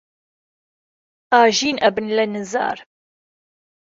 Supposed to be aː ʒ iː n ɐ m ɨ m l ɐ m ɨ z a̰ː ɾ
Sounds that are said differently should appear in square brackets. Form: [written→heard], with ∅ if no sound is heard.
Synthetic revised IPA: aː ʒ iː n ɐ [m→b] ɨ [m→n] l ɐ [m→n] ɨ z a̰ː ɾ